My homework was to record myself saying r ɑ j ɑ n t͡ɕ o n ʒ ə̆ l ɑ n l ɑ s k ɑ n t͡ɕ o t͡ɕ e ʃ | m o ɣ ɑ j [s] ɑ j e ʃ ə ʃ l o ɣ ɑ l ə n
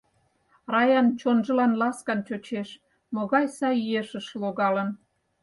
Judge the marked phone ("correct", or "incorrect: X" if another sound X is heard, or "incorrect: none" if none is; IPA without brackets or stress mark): correct